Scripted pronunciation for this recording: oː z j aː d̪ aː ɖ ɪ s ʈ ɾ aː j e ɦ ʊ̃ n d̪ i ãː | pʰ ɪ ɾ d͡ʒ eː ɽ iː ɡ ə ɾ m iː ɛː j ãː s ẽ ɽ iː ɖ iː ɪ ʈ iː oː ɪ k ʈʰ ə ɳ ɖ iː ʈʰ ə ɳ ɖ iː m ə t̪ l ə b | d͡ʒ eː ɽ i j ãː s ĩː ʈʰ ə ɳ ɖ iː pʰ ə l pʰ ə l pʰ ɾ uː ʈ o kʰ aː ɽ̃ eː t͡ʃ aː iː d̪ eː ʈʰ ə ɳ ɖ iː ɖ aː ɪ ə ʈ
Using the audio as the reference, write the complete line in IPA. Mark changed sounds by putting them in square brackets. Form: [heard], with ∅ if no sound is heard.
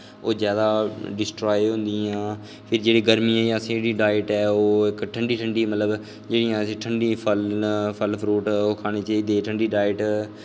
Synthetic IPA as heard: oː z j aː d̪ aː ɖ ɪ s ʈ ɾ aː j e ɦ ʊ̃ n d̪ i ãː | pʰ ɪ ɾ d͡ʒ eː ɽ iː ɡ ə ɾ m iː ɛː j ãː s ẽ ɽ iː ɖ [aː] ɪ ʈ [ɛː] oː ɪ k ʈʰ ə ɳ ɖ iː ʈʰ ə ɳ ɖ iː m ə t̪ l ə b | d͡ʒ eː ɽ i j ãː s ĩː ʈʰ ə ɳ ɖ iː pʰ ə l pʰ ə l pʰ ɾ uː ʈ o kʰ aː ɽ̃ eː t͡ʃ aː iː d̪ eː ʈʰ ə ɳ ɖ iː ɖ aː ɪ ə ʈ